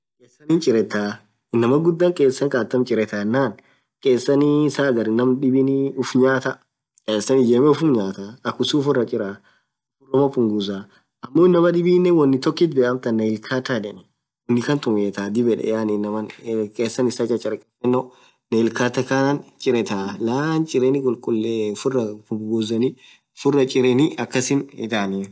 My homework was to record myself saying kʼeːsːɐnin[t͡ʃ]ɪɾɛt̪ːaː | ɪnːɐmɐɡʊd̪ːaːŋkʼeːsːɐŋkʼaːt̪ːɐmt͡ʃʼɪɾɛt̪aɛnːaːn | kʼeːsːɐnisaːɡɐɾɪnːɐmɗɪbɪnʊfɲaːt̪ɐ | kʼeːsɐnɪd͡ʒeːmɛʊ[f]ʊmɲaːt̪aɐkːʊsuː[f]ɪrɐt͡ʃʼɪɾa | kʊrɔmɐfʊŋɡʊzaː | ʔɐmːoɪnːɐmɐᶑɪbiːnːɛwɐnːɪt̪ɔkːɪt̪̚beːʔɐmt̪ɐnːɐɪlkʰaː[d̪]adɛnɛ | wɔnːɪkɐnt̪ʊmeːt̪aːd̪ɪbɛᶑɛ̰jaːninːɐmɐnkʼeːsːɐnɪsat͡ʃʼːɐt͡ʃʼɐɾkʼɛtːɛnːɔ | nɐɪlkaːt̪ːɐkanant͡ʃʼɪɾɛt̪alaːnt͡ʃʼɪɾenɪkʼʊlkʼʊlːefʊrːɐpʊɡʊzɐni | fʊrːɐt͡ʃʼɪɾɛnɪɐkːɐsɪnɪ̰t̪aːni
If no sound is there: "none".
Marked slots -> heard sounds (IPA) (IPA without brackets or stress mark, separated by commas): t͡ʃʼ, f, f, t̪